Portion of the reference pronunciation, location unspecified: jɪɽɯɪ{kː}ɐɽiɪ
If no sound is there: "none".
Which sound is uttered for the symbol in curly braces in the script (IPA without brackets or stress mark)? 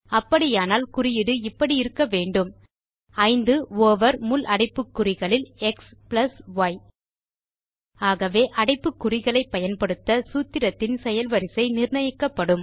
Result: pː